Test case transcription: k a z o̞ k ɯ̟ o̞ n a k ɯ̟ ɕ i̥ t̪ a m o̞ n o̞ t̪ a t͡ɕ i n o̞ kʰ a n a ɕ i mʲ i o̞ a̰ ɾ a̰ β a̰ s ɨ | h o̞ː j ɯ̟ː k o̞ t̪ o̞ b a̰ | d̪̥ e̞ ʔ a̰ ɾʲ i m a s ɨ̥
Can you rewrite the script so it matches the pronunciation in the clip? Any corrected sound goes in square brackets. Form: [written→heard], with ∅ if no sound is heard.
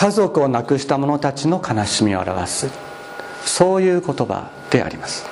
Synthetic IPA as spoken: k a z o̞ k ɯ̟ o̞ n a k ɯ̟ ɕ i̥ t̪ a m o̞ n o̞ t̪ a t͡ɕ i n o̞ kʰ a n a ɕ i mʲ i o̞ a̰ ɾ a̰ β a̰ s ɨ | [h→s] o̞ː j ɯ̟ː k o̞ t̪ o̞ b a̰ | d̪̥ e̞ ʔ a̰ ɾʲ i m a s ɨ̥